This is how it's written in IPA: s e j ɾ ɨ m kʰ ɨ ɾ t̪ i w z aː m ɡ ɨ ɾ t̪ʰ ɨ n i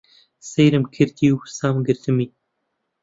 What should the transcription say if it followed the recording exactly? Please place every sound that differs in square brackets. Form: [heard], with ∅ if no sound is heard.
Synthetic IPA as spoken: s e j ɾ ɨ m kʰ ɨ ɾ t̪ i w [s] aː m ɡ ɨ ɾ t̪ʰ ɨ [m] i